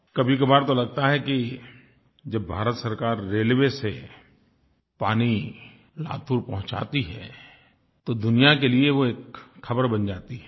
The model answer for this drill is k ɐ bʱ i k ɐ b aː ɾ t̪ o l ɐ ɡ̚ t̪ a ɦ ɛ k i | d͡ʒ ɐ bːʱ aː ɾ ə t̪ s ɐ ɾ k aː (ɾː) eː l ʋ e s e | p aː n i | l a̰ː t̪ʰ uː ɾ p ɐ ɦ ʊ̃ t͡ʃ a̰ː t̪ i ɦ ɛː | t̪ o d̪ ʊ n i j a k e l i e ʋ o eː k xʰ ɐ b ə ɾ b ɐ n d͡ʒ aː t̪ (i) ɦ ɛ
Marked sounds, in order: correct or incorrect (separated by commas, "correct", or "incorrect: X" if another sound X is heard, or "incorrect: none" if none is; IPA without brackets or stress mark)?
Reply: correct, correct